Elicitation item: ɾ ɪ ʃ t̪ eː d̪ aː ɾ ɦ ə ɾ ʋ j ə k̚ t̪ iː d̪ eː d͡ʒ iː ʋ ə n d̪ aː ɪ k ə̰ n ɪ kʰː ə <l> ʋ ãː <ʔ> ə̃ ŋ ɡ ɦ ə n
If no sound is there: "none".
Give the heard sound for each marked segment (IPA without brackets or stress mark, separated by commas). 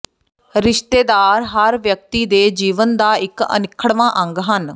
ɽ, ʔ